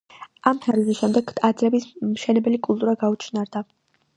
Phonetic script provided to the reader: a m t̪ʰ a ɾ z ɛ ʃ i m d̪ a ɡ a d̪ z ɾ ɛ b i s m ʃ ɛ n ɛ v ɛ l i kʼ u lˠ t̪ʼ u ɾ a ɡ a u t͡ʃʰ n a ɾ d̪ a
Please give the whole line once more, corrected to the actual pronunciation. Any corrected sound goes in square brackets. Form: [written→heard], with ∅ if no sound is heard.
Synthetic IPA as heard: a m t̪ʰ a ɾ z ɛ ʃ [i→ɛ] m d̪ [a→ɛ] ɡ a d̪ z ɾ ɛ b i s m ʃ ɛ n ɛ [v→b] ɛ l i kʼ u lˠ t̪ʼ u ɾ a ɡ a u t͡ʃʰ n a ɾ d̪ a